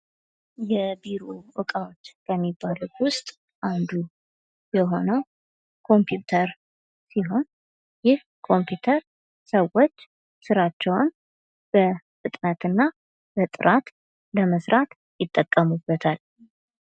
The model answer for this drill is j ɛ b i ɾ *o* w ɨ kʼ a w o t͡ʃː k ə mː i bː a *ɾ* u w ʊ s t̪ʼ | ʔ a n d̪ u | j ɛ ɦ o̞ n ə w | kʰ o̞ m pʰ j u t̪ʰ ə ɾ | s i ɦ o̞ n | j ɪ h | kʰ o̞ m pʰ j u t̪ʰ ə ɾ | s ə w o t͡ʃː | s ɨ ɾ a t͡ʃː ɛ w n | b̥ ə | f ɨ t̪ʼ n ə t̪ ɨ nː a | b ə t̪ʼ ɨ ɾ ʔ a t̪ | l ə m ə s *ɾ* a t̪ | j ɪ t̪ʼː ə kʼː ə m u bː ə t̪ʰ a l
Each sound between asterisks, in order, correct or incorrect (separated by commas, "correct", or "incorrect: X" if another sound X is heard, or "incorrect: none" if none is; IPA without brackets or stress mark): correct, incorrect: l, correct